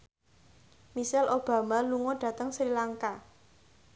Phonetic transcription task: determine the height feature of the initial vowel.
high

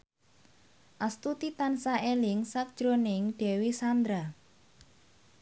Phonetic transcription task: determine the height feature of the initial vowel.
low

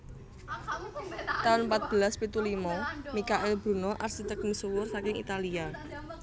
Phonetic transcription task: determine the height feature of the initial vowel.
low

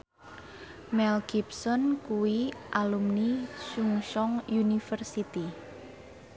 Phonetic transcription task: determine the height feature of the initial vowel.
mid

